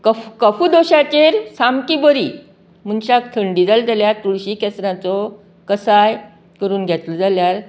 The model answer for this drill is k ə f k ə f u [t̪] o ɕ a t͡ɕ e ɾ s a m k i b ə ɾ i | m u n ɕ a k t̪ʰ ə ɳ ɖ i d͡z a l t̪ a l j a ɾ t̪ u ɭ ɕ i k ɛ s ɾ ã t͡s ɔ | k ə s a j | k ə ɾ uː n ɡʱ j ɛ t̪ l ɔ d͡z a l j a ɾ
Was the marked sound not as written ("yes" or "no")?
yes